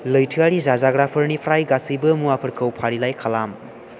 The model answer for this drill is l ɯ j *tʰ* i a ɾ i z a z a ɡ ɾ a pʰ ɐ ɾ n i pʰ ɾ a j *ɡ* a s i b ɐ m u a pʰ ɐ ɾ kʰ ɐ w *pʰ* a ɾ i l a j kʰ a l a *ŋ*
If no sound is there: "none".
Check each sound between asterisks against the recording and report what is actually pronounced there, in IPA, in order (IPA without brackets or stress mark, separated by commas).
tʰ, ɡ, pʰ, m